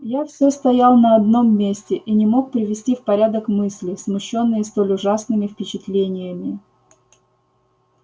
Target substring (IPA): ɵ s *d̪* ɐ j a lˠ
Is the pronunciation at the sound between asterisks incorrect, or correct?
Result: incorrect: t̪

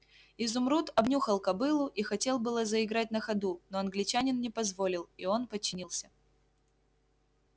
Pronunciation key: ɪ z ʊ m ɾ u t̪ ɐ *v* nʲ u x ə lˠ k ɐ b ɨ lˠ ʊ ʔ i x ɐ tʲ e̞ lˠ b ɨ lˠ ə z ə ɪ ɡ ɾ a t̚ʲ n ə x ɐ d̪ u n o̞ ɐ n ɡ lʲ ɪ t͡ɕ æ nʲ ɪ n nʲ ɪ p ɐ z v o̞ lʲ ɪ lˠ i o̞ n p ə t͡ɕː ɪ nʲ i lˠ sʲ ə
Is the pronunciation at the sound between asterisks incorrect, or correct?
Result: incorrect: b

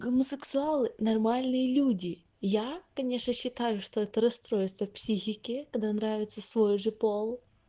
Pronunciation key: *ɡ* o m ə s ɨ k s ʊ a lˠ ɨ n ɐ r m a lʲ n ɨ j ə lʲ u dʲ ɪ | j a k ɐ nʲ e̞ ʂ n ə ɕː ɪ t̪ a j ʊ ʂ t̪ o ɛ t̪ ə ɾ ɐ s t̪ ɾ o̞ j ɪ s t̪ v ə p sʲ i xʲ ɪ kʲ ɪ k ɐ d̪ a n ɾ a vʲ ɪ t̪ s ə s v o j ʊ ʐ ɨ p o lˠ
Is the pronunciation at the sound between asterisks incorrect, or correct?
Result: correct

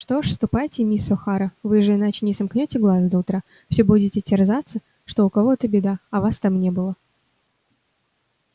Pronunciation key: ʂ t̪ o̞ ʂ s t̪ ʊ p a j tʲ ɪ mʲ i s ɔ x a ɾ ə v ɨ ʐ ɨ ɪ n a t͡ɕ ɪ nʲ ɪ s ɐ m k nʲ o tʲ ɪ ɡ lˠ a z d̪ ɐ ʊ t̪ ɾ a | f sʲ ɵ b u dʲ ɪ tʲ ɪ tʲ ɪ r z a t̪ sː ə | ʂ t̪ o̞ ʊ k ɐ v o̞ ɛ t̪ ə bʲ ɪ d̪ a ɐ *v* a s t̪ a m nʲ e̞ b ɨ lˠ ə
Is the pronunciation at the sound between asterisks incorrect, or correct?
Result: correct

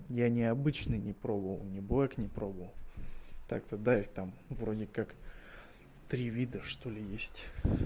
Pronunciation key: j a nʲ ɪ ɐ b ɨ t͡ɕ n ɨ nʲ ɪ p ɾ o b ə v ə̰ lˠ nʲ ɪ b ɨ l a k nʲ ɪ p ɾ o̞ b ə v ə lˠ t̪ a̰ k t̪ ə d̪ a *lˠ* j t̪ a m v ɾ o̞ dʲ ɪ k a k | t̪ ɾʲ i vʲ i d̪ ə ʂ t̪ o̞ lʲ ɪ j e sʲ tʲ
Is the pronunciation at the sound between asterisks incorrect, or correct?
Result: incorrect: none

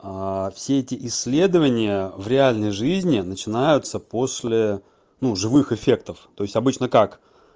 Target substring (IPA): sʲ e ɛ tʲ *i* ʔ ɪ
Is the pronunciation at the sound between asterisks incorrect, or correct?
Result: incorrect: ɪ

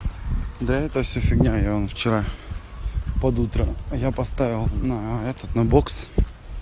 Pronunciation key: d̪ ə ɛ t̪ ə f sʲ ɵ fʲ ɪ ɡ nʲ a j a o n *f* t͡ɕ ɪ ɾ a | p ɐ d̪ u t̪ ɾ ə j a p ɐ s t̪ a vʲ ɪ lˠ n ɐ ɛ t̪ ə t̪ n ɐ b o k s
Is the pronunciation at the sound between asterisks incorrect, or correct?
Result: correct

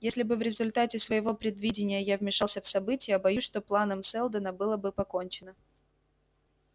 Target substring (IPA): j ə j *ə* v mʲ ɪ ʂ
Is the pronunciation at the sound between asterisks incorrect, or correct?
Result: incorrect: a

